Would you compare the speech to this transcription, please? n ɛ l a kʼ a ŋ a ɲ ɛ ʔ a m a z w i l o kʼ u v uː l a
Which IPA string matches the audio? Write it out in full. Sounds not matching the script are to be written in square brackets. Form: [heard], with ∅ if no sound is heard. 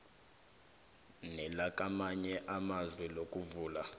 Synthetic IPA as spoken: n ɛ l a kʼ a [m] a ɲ ɛ ʔ a m a z w [ɛ] l o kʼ u v uː l a